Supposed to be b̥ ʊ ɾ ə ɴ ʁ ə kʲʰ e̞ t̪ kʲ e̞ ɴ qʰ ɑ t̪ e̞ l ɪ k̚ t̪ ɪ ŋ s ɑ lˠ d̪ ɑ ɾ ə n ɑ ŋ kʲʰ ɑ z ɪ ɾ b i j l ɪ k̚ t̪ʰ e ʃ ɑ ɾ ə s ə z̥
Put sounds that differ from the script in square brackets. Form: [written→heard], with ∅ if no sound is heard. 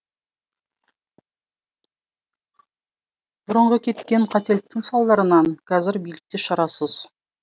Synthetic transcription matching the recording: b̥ ʊ ɾ ə ɴ ʁ ə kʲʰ e̞ t̪ kʲ e̞ ɴ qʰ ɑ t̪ e̞ l ɪ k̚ t̪ ɪ ŋ s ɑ lˠ d̪ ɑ ɾ ə n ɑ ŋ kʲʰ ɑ z ɪ ɾ b i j l ɪ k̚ [t̪ʰ→t̪] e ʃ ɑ ɾ [ə→ɑ] s ə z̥